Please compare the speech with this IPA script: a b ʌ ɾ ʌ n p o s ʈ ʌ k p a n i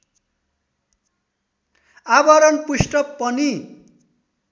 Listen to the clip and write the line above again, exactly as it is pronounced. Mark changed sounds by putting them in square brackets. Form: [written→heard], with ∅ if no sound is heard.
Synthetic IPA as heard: a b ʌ ɾ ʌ n p [o→u] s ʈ ʌ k p [a→ʌ] n i